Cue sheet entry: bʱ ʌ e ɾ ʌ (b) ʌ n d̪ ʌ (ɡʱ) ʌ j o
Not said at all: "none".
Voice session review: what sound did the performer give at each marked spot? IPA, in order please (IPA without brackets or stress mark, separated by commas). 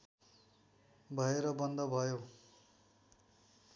b, bʱ